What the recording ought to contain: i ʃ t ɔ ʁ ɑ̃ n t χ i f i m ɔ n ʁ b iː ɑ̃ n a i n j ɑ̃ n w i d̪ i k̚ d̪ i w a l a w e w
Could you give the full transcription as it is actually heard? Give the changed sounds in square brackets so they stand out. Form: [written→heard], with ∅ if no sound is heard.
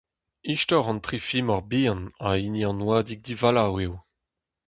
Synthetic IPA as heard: i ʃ t ɔ ʁ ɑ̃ n t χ i f i m ɔ [n→∅] ʁ b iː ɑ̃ n a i n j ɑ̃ n w [i→a] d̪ i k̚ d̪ i [w→v] a l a w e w